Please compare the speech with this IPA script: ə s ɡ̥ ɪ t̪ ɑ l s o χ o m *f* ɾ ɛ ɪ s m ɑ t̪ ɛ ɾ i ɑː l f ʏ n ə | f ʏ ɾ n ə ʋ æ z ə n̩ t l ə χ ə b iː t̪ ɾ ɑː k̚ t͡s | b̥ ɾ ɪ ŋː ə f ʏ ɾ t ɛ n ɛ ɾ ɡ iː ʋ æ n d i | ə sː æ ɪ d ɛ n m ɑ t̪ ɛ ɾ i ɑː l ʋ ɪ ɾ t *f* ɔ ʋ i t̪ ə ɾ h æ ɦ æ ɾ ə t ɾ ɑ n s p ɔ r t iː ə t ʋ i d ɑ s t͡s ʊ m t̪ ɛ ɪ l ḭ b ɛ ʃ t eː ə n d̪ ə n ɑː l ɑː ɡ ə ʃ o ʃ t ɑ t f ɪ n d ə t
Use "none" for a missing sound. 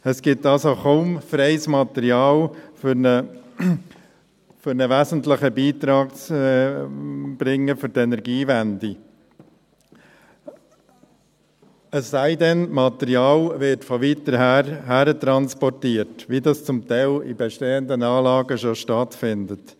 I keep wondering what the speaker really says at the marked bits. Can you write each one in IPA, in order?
f, f

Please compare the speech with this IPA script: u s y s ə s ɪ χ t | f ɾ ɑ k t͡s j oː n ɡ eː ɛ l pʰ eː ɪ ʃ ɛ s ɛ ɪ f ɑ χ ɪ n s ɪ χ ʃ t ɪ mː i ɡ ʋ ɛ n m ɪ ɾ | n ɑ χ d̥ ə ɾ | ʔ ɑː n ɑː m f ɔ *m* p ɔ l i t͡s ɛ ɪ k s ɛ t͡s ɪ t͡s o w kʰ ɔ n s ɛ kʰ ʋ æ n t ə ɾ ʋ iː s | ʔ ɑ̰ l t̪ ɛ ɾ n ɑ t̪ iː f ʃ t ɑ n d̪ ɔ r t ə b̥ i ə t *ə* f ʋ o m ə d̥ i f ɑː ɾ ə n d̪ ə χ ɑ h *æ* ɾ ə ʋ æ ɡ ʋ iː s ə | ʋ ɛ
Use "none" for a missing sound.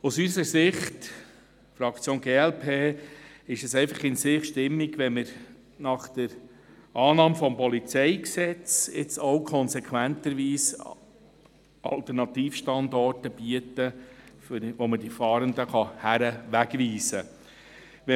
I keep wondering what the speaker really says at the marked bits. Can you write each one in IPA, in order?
m, ə, æ

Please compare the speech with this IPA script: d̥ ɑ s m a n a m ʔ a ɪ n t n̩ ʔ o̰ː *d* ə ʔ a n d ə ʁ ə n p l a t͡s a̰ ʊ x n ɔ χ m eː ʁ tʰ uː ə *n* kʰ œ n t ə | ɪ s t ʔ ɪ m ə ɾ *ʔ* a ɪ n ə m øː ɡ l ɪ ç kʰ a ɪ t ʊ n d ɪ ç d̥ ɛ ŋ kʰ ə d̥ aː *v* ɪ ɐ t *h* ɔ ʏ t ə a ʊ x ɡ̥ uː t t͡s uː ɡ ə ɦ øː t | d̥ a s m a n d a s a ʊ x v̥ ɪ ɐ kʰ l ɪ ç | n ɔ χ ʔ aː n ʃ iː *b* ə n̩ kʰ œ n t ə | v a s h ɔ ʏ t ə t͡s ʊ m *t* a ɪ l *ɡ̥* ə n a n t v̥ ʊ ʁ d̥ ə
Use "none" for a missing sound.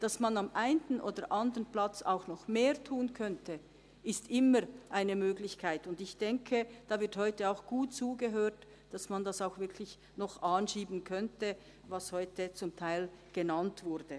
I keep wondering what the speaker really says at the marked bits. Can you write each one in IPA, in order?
d, n, ʔ, v, h, b, tʰ, ɡ̥

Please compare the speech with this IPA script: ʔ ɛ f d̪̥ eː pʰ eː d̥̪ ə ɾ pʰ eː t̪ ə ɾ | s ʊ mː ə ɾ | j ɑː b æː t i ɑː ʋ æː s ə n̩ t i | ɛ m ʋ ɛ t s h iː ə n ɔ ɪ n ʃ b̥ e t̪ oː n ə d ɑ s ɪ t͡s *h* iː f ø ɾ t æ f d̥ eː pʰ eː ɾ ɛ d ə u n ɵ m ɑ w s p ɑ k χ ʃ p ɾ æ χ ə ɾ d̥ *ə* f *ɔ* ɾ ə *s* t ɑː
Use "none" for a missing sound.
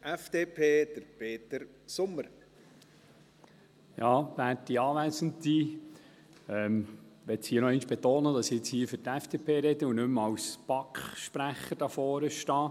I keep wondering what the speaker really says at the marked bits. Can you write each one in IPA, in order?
h, ɑ, ɔː, ʃ

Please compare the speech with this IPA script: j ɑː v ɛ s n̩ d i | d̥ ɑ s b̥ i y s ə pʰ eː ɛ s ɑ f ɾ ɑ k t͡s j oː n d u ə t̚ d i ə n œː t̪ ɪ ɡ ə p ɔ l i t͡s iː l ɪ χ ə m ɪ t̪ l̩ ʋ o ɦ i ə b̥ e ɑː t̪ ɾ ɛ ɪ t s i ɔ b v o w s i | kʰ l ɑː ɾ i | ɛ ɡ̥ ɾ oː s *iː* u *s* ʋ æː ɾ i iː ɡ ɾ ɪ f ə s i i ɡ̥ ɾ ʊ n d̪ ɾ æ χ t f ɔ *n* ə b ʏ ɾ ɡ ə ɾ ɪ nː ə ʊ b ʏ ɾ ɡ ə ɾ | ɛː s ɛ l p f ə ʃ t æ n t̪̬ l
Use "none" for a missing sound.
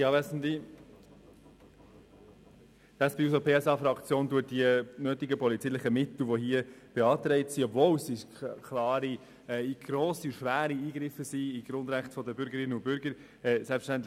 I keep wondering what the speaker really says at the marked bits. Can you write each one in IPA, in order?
i, ʃ, d

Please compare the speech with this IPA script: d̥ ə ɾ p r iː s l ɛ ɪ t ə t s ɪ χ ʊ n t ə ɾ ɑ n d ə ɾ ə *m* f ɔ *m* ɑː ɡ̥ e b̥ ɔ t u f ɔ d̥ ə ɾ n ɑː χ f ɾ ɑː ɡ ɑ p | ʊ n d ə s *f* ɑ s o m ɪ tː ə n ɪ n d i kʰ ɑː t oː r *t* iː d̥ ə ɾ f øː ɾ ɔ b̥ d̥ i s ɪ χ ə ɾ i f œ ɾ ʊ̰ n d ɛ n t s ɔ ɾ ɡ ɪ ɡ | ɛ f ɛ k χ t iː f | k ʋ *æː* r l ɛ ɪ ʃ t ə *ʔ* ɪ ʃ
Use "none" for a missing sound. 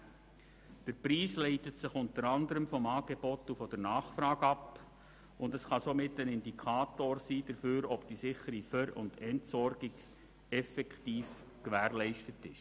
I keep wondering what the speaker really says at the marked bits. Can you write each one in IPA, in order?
m, m, χ, s, æː, t

